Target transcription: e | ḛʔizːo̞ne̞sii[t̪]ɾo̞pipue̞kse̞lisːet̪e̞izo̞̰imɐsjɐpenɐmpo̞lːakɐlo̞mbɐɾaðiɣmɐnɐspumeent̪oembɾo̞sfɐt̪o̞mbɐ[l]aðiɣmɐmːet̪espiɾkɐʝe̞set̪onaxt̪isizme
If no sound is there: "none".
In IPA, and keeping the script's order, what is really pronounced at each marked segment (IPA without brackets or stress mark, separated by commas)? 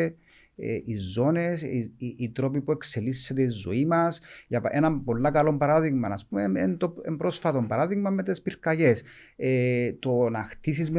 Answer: t̪, ɾ